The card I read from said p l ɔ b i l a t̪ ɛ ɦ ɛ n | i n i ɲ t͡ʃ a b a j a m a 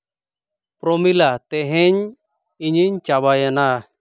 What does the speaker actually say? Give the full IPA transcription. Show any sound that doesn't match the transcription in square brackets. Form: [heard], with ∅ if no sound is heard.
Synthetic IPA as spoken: p [ɾ] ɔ [m] i l a t̪ ɛ ɦ ɛ [ɲ] | i [ɲ] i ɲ t͡ʃ a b a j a [n] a